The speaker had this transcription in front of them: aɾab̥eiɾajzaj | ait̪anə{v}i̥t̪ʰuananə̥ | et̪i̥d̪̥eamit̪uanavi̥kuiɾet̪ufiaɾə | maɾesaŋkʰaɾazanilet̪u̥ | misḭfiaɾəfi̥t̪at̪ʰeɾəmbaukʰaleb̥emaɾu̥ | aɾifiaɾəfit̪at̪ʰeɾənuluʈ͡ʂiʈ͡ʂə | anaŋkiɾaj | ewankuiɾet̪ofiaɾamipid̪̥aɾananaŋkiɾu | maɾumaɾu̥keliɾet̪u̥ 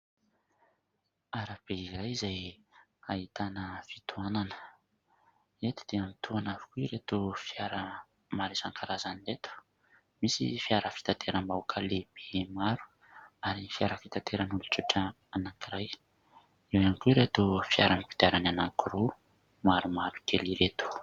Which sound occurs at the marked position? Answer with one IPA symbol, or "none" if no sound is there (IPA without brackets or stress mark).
f